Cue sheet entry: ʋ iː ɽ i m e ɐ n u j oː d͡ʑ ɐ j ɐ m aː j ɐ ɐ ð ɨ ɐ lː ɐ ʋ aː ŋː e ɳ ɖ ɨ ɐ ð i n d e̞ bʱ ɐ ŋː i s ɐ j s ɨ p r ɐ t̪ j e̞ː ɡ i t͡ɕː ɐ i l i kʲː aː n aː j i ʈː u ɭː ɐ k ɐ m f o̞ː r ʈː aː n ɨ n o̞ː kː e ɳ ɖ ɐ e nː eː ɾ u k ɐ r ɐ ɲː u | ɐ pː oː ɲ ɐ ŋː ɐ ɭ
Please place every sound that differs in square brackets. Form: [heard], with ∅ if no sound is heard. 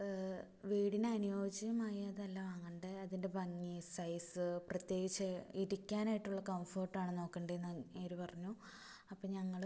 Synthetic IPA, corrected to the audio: ʋ iː ɽ i [n] e ɐ n u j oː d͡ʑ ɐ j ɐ m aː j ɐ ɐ ð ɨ ɐ lː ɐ ʋ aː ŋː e ɳ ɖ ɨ ɐ ð i n d e̞ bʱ ɐ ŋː i s ɐ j s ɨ p r ɐ t̪ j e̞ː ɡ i t͡ɕː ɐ i [ɾ] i kʲː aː n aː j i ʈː u ɭː ɐ k ɐ m f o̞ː r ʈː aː [ɳ] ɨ n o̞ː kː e ɳ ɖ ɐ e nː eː ɾ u [p] ɐ r ɐ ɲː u | ɐ pː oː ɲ ɐ ŋː ɐ ɭ

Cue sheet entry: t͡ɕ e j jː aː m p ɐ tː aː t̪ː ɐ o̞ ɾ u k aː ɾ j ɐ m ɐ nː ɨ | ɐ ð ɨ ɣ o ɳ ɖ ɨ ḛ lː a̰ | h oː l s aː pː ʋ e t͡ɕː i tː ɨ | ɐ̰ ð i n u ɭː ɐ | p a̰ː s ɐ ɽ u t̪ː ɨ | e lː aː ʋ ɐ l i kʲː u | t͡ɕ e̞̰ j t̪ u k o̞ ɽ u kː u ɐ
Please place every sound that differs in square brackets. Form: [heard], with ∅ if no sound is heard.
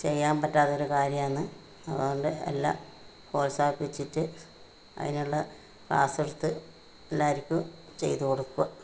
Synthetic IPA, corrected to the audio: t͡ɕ e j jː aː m p ɐ tː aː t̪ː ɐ o̞ ɾ u k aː ɾ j ɐ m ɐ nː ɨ | ɐ ð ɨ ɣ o ɳ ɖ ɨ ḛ lː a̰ | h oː l s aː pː ʋ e t͡ɕː i tː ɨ | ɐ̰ ð i n u ɭː ɐ | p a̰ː s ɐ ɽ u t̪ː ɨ | e lː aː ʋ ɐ [ɾ] i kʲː u | t͡ɕ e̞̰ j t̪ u k o̞ ɽ u kː u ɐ

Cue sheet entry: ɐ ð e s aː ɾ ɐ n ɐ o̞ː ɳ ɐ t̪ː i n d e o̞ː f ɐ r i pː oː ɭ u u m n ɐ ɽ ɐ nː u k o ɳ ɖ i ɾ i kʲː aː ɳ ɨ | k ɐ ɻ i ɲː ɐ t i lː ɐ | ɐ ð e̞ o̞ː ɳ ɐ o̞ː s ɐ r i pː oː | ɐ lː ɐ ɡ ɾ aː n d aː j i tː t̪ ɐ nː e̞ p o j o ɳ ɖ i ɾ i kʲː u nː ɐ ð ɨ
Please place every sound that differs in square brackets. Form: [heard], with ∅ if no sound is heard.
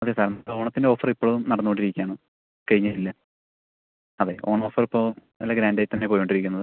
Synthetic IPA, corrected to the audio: ɐ ð e s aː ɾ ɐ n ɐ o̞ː ɳ ɐ t̪ː i n d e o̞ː f ɐ r i pː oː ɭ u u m n ɐ ɽ ɐ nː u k o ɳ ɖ i ɾ i kʲː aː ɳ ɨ | k ɐ ɻ i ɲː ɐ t i lː ɐ | ɐ ð e̞ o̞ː ɳ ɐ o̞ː [f] ɐ r i pː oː | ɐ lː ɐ ɡ ɾ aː n d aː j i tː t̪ ɐ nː e̞ p o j o ɳ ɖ i ɾ i kʲː u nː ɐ ð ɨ

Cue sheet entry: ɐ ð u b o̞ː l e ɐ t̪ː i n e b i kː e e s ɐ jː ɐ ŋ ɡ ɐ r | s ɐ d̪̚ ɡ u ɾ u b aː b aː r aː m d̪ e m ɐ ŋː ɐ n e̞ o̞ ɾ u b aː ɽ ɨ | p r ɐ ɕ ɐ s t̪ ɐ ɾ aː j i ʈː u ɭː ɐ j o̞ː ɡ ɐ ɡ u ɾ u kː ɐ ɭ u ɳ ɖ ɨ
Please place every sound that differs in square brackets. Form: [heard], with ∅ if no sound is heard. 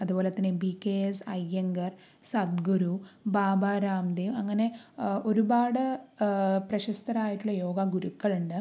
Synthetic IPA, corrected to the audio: ɐ ð u b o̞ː l e ɐ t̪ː i n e b i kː e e s ɐ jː ɐ ŋ ɡ ɐ r | s ɐ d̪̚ ɡ u ɾ u b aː b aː [ɾ] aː m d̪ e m ɐ ŋː ɐ n e̞ o̞ ɾ u b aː ɽ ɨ | p r ɐ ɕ ɐ s t̪ ɐ ɾ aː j i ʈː u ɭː ɐ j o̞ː ɡ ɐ ɡ u ɾ u kː ɐ ɭ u ɳ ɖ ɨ

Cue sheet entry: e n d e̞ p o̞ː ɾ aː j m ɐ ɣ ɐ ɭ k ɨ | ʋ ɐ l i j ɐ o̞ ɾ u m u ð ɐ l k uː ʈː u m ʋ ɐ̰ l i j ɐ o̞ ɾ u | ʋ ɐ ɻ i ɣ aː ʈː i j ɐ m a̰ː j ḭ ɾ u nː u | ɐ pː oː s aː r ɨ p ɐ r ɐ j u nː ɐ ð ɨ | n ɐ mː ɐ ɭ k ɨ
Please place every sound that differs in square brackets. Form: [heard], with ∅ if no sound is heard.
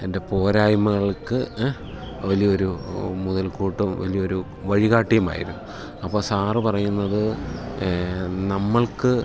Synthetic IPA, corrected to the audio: e n d e̞ p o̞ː ɾ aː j m ɐ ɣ ɐ ɭ k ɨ | ʋ ɐ l i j ɐ o̞ ɾ u m u ð ɐ l k uː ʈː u m ʋ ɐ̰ l i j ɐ o̞ ɾ u | ʋ ɐ ɻ i ɣ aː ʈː i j ɐ m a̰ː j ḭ ɾ u nː u | ɐ pː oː s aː r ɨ p ɐ r ɐ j u nː ɐ ð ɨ | n ɐ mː ɐ ɭ k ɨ

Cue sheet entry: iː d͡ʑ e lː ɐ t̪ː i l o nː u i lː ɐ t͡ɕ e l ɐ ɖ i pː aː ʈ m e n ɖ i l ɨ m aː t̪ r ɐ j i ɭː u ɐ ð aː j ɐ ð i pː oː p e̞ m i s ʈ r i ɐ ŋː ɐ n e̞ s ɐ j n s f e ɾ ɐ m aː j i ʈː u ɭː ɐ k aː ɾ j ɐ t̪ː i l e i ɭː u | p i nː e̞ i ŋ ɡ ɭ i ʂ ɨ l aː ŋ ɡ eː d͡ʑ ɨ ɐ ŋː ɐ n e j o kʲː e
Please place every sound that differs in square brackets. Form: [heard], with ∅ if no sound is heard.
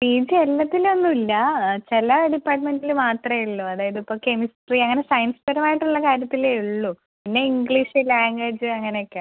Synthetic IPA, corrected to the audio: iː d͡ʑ e lː ɐ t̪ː i l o nː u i lː ɐ t͡ɕ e l ɐ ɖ i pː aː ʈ m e n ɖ i l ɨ m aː t̪ r ɐ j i ɭː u ɐ ð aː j ɐ ð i pː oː [k] e̞ m i s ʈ r i ɐ ŋː ɐ n e̞ s ɐ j n s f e ɾ ɐ m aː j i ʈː u ɭː ɐ k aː ɾ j ɐ t̪ː i l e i ɭː u | p i nː e̞ i ŋ ɡ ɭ i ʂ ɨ l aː ŋ ɡ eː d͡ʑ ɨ ɐ ŋː ɐ n e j o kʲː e

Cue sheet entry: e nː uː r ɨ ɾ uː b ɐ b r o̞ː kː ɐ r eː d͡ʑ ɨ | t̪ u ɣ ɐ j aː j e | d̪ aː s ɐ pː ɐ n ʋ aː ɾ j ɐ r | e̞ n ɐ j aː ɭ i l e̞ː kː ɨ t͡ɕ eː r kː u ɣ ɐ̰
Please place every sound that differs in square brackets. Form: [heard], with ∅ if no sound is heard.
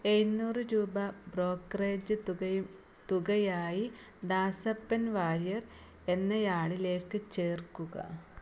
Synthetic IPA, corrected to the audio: e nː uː r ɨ ɾ uː b ɐ b r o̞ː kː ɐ r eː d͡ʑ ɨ | t̪ u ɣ ɐ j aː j [i] | d̪ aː s ɐ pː ɐ n ʋ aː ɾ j ɐ r | e̞ [nː] ɐ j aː ɭ i l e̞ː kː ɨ t͡ɕ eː r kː u ɣ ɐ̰

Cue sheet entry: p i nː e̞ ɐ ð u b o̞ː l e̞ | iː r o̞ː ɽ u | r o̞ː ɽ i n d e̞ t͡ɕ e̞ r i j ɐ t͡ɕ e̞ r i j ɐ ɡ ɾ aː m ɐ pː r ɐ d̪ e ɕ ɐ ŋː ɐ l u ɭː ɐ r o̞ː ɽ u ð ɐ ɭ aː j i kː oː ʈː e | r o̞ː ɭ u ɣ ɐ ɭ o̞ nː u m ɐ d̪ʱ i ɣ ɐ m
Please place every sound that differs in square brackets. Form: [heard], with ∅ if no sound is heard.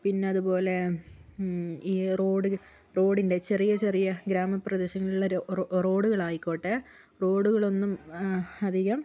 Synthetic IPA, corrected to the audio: p i nː e̞ ɐ ð u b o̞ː l e̞ | iː r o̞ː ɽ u | r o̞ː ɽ i n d e̞ t͡ɕ e̞ r i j ɐ t͡ɕ e̞ r i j ɐ ɡ ɾ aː m ɐ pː r ɐ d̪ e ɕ ɐ ŋː ɐ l u ɭː ɐ r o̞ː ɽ u [ɣ] ɐ ɭ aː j i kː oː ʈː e | r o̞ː [ɽ] u ɣ ɐ ɭ o̞ nː u m ɐ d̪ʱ i ɣ ɐ m

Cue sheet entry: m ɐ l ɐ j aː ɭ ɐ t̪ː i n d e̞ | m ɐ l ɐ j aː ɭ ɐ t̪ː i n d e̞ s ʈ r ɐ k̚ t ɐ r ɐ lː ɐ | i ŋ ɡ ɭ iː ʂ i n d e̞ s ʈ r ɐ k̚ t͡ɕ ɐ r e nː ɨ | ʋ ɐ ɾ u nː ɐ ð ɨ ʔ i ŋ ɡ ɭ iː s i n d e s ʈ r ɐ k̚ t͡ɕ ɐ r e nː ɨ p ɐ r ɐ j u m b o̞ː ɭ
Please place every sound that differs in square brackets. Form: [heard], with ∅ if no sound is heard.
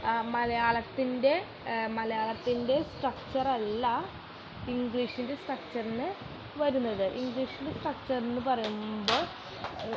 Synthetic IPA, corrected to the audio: m ɐ l ɐ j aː ɭ ɐ t̪ː i n d e̞ | m ɐ l ɐ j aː ɭ ɐ t̪ː i n d e̞ s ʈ r ɐ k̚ [t͡ɕ] ɐ r ɐ lː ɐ | i ŋ ɡ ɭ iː ʂ i n d e̞ s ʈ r ɐ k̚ t͡ɕ ɐ r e nː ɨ | ʋ ɐ ɾ u nː ɐ ð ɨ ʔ i ŋ ɡ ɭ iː [ʂ] i n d e s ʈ r ɐ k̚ t͡ɕ ɐ r e nː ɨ p ɐ r ɐ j u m b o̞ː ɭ

